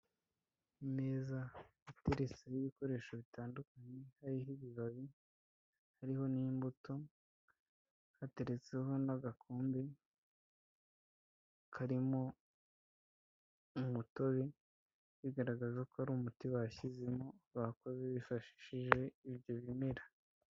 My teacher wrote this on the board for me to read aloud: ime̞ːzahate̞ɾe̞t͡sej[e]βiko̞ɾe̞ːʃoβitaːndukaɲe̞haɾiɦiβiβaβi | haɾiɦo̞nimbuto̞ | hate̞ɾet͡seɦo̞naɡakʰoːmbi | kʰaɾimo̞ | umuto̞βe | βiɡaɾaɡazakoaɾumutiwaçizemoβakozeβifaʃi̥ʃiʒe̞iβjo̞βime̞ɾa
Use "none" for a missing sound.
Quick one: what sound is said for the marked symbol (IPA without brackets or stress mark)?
i